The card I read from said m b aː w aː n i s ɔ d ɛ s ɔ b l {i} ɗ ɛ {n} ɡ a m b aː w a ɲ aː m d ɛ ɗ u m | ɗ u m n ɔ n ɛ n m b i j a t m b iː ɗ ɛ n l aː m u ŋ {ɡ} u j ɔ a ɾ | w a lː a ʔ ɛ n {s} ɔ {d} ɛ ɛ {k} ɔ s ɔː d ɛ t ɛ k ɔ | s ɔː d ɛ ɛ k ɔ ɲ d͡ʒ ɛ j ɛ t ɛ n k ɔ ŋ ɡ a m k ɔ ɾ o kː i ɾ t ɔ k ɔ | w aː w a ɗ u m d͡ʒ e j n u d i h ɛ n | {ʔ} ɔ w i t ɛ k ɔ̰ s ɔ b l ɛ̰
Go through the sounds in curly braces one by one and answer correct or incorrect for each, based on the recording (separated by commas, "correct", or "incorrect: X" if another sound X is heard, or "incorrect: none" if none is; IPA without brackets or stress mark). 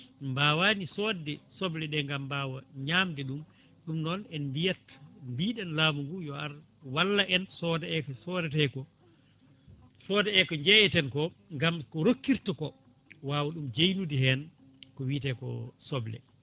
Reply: incorrect: ɛ, incorrect: ŋ, correct, correct, correct, correct, incorrect: k